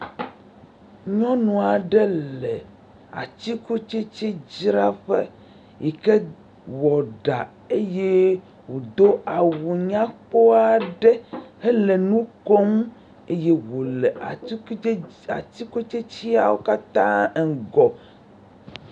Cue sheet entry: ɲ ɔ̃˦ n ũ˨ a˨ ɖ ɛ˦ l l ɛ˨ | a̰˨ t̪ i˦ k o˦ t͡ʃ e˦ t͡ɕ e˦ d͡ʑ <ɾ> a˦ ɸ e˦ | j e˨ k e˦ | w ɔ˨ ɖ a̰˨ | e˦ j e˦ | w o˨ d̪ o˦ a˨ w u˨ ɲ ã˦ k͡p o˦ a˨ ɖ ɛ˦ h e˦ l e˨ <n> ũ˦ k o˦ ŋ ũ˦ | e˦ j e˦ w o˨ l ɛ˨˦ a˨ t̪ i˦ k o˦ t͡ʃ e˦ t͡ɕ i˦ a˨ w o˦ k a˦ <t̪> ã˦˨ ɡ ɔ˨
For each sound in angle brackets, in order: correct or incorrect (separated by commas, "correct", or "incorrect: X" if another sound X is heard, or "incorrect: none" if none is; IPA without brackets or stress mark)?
correct, correct, correct